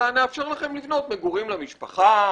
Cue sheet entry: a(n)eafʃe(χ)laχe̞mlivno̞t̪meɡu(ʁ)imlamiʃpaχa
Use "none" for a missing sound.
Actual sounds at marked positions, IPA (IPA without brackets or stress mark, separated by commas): n, ʁ, ʁ